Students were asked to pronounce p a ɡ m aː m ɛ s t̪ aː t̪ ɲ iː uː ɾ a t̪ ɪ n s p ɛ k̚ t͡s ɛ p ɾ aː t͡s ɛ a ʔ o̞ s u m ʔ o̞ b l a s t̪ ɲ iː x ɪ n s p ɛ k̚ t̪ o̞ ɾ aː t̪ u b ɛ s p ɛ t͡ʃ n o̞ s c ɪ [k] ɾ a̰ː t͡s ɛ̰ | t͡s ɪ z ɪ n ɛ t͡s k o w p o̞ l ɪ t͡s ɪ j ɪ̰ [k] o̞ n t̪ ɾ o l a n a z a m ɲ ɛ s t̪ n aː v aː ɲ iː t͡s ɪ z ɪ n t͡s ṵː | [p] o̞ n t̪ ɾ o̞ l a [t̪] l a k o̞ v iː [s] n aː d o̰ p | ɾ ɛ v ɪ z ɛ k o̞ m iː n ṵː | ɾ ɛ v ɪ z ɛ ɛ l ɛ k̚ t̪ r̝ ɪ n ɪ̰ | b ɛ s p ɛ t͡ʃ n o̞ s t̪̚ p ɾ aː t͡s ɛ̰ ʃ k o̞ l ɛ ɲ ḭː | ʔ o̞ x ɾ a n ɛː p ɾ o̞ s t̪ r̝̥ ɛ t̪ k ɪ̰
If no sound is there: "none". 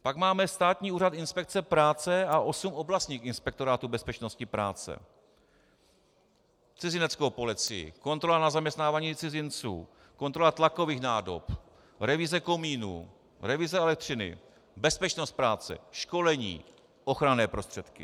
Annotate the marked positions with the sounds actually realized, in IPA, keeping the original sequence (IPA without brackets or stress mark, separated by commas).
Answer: p, k, k, t̪, x